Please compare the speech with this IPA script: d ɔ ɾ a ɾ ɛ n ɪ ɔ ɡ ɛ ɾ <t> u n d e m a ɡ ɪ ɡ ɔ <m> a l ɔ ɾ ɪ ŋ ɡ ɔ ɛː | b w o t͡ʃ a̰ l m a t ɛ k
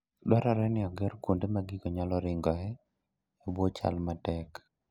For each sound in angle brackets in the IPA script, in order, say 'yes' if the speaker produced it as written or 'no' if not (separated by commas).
no, no